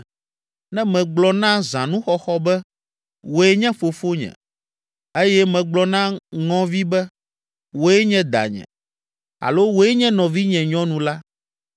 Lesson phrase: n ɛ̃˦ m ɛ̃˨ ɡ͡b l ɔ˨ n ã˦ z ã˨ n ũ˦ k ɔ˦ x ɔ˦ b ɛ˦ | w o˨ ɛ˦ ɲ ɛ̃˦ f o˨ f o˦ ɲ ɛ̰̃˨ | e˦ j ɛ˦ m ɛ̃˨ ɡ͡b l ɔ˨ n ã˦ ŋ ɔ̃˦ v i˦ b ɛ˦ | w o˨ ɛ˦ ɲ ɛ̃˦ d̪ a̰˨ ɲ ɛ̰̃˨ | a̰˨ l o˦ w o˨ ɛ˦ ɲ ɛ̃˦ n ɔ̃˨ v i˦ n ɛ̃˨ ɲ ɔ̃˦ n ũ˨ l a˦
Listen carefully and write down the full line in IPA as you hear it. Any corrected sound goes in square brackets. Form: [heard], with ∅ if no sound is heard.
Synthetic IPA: n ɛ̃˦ m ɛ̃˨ ɡ͡b l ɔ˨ n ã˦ z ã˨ n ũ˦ [x] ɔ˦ x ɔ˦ b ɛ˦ | w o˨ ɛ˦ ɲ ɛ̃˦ f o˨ f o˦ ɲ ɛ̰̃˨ | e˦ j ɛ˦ m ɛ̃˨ ɡ͡b l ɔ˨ n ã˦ ŋ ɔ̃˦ v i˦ b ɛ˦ | w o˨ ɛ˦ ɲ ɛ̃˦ d̪ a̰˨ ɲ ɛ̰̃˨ | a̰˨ l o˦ w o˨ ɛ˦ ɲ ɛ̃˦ n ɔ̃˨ v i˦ [ɲ] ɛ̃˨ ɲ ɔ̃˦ n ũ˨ l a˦